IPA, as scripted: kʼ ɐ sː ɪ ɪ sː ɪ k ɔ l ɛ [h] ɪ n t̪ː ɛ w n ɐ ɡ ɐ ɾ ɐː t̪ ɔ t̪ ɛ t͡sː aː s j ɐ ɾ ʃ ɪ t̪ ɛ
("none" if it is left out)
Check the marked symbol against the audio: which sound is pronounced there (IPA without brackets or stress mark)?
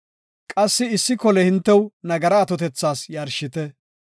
h